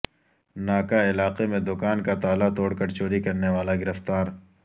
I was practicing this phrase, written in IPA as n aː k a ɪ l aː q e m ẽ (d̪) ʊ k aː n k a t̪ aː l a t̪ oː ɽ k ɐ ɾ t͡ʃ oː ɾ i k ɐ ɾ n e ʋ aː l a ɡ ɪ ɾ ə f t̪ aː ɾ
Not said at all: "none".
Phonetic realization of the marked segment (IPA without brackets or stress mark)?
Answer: d̪